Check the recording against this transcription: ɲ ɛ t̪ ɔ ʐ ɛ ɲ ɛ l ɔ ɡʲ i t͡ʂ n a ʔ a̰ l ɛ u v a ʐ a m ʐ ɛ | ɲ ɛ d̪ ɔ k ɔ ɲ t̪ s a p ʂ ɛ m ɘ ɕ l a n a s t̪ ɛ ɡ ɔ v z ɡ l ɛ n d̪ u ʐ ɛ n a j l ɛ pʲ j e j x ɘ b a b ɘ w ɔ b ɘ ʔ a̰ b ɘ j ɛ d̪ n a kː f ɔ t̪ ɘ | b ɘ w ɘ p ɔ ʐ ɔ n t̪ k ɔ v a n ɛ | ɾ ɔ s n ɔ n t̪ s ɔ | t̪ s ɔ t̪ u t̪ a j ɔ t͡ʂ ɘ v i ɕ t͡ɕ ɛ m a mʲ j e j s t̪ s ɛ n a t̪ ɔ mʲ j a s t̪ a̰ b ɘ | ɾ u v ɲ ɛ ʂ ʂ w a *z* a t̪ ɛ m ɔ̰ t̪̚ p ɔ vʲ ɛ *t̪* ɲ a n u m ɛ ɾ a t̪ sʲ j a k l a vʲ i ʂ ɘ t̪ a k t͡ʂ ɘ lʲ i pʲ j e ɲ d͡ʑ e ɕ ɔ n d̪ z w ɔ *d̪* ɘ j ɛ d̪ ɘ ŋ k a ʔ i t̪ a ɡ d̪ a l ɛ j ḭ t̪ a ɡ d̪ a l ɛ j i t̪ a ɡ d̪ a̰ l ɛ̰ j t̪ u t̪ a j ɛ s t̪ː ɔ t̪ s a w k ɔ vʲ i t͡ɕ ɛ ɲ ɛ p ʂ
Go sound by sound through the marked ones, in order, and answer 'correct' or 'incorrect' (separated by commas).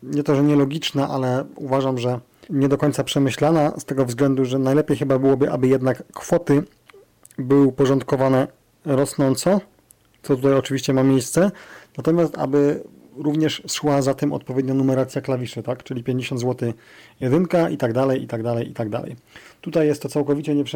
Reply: correct, incorrect, incorrect